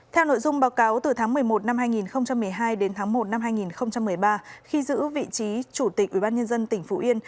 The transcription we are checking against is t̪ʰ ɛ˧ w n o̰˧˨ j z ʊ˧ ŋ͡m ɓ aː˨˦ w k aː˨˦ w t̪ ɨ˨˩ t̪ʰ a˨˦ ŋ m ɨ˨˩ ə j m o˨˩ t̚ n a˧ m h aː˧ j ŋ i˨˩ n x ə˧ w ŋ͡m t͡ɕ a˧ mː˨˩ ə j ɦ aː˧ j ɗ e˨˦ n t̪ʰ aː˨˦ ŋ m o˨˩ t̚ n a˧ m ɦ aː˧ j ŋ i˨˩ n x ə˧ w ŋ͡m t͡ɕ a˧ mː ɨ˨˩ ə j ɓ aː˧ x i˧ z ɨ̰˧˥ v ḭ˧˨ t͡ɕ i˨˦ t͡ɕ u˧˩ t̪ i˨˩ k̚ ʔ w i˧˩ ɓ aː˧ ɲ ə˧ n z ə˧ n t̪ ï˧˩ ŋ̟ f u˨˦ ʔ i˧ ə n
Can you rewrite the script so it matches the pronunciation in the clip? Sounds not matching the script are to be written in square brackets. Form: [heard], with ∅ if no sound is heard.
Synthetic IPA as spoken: t̪ʰ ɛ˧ w n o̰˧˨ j z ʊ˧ ŋ͡m ɓ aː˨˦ w k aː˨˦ w t̪ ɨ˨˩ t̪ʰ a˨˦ ŋ m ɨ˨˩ ə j m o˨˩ t̚ n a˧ m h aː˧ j ŋ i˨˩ n x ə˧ w ŋ͡m t͡ɕ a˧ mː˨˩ ə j ɦ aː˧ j ɗ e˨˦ n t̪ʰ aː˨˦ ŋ m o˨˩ t̚ n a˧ m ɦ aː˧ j ŋ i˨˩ n x ə˧ w ŋ͡m t͡ɕ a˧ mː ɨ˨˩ ə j ɓ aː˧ x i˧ z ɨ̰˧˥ v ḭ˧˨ t͡ɕ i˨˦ t͡ɕ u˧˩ t̪ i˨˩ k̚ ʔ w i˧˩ ɓ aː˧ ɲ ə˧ n z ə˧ n t̪ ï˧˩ ŋ̟ f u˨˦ ʔ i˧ ə n